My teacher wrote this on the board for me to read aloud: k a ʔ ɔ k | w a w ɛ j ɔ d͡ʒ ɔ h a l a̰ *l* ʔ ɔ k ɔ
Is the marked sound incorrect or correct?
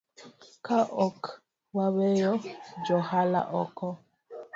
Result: incorrect